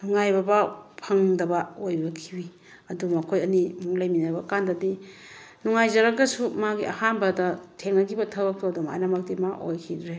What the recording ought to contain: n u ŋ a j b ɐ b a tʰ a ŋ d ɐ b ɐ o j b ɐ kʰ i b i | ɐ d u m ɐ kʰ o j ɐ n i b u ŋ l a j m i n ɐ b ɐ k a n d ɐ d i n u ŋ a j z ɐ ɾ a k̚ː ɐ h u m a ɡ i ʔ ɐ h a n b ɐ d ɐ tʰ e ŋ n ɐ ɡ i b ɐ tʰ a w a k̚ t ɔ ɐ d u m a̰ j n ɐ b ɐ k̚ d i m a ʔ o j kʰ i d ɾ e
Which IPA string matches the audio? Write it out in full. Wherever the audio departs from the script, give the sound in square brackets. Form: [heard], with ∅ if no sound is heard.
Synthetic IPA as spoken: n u ŋ a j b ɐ b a [pʰ] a ŋ d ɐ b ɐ o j b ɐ kʰ i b i | ɐ d u m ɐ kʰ o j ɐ n i [m] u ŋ l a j m i n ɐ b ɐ k a n d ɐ d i n u ŋ a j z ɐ ɾ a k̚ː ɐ [s] u m a ɡ i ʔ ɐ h a n b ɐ d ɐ tʰ e ŋ n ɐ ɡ i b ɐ tʰ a w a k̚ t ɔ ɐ d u m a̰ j n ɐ [m] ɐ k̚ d i m a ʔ o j kʰ i d ɾ e